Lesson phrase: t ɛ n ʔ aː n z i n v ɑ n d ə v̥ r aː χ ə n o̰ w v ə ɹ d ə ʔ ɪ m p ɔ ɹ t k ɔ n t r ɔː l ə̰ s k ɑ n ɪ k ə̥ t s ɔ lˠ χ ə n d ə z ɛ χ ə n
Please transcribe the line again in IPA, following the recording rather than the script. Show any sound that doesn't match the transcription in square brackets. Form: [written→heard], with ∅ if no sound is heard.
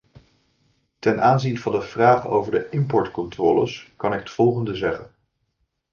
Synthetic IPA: t ɛ n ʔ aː n z i n v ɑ n d ə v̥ r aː χ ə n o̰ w v ə ɹ d ə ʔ ɪ m p ɔ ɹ t k ɔ n t r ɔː l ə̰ s k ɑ n ɪ k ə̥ t [s→f] ɔ lˠ χ ə n d ə z ɛ χ ə n